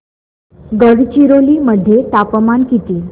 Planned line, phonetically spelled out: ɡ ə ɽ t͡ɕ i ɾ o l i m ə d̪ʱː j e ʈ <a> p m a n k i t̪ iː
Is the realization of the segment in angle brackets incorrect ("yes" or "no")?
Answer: no